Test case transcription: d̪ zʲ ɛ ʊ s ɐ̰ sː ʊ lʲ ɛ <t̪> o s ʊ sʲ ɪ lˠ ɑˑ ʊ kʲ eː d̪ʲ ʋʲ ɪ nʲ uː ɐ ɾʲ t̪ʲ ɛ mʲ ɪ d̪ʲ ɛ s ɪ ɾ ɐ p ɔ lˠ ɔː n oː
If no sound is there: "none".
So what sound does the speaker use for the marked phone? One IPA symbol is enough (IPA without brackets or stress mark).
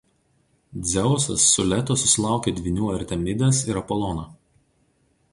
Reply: t̪